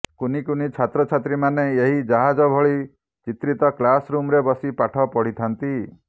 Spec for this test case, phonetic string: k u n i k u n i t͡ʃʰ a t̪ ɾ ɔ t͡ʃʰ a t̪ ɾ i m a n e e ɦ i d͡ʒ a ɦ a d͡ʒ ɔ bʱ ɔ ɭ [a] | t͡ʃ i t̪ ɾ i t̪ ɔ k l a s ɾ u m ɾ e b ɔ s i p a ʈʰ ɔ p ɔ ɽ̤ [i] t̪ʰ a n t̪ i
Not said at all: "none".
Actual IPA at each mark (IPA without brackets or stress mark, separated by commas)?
i, i